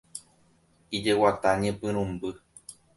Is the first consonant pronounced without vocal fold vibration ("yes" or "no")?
no